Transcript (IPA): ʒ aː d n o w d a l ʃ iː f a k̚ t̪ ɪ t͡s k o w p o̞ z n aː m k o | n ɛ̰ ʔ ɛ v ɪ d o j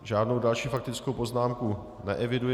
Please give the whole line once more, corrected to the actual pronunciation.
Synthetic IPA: ʒ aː d n o w d a l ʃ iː f a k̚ t̪ ɪ t͡s k o w p o̞ z n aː m k u | n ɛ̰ ʔ ɛ v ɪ d u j